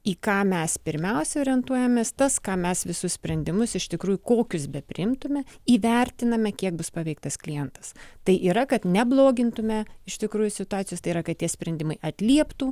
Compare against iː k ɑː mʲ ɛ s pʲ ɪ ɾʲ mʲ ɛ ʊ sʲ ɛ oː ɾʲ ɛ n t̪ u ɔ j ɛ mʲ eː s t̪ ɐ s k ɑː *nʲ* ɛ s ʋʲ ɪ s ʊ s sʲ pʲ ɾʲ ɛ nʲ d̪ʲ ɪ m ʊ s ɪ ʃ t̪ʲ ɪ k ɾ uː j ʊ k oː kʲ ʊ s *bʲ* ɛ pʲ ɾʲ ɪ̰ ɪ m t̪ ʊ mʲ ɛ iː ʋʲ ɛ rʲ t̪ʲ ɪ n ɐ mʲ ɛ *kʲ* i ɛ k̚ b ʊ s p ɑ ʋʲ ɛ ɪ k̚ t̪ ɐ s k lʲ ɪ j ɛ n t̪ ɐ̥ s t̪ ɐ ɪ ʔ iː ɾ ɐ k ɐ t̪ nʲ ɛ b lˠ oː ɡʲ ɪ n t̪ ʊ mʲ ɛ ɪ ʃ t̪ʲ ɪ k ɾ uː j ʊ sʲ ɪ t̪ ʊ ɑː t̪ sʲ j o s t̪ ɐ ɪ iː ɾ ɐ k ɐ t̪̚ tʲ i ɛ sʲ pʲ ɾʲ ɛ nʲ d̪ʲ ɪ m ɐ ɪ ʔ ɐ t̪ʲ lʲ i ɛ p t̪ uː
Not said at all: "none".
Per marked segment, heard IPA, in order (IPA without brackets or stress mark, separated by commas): mʲ, bʲ, kʲ